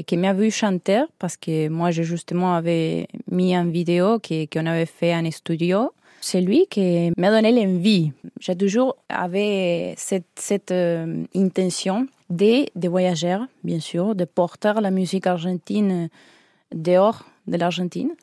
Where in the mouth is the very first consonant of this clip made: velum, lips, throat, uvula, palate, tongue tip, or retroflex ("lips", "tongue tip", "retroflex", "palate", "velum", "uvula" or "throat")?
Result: velum